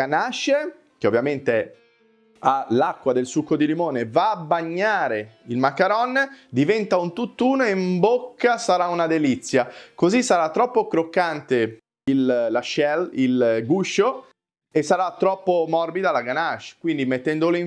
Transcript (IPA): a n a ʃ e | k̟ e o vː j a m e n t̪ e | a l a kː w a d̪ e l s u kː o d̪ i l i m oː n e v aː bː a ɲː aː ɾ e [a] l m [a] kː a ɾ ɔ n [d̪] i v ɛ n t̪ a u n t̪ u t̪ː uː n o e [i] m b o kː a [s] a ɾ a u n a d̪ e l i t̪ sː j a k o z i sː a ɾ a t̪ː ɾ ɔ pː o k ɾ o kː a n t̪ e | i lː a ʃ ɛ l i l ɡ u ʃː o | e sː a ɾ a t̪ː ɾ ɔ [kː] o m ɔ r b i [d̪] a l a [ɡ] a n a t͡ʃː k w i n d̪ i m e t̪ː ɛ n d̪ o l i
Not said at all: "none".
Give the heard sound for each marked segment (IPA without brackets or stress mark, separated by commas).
i, a, d̪, i, s, pː, d̪, ɡ